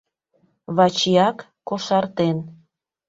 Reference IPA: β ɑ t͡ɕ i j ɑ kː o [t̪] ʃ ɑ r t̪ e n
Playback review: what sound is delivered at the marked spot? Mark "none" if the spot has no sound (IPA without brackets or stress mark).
none